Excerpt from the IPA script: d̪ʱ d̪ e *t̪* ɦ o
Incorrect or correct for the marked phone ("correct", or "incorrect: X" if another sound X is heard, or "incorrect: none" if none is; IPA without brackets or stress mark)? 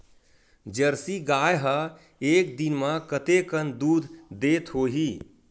correct